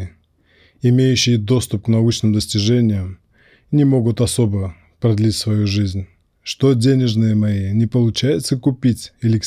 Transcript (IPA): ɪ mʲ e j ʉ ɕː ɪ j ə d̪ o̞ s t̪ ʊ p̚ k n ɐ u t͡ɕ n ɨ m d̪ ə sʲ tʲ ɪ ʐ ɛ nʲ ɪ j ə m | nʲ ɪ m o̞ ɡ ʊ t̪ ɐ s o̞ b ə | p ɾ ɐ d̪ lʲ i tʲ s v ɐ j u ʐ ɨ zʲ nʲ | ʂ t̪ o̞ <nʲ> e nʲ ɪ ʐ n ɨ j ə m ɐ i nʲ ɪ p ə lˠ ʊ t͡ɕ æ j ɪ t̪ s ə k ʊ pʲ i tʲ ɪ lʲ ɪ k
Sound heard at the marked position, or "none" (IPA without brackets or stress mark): dʲ